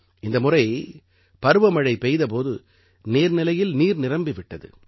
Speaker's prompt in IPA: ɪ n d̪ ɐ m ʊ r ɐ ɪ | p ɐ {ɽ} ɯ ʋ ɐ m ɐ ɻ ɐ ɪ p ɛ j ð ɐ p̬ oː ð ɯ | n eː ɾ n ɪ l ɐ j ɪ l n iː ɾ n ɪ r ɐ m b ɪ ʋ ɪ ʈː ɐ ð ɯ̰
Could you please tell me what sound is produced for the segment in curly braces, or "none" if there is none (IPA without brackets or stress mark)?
ɾ